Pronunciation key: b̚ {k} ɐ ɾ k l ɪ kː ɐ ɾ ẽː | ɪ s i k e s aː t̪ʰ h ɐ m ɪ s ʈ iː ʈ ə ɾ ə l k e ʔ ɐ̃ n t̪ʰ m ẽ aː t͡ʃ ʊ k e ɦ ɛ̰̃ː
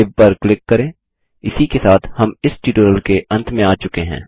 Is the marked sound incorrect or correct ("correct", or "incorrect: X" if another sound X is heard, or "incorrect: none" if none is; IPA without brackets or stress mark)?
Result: incorrect: p